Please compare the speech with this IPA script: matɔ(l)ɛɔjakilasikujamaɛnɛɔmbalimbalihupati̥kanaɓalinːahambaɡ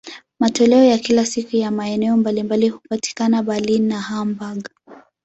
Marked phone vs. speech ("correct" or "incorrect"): correct